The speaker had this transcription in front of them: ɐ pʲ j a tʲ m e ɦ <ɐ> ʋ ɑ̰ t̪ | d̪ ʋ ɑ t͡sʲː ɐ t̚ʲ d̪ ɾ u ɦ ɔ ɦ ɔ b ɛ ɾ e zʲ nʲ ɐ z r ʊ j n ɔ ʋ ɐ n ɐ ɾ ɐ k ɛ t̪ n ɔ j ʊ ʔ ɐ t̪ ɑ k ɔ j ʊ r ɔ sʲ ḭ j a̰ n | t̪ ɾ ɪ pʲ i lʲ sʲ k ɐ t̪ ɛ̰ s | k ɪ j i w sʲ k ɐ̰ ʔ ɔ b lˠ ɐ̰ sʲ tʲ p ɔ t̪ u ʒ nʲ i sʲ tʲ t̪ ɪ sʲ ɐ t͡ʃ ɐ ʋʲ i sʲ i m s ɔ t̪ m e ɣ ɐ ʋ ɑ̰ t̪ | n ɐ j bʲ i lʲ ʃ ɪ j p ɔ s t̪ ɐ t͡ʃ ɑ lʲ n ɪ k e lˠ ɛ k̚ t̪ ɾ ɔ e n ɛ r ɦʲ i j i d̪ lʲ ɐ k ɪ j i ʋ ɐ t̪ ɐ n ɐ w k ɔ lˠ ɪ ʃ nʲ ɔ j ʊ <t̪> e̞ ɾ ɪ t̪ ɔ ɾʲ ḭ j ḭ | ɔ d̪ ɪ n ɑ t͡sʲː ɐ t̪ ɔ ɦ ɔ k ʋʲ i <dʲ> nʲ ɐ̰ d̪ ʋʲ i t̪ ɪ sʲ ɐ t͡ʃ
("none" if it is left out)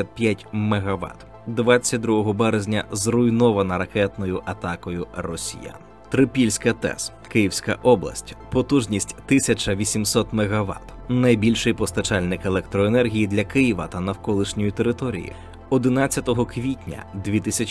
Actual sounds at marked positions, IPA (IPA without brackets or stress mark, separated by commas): ɐ, t̪, tʲ